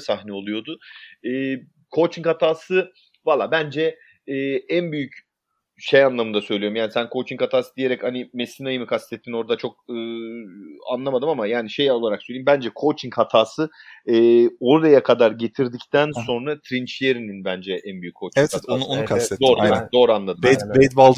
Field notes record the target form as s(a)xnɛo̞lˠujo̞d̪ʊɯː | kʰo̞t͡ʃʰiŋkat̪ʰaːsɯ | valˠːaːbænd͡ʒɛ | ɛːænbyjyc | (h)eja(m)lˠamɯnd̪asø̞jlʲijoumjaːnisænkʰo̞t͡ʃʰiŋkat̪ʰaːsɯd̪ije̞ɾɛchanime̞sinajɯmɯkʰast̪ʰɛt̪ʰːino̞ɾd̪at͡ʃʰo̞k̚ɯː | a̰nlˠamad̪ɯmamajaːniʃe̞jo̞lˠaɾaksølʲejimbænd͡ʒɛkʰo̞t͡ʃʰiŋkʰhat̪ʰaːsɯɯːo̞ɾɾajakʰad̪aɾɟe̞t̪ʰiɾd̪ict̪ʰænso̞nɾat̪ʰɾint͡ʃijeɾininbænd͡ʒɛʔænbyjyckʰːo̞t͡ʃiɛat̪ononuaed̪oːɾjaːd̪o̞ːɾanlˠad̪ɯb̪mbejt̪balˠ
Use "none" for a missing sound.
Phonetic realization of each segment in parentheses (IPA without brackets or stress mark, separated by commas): a, ʃ, n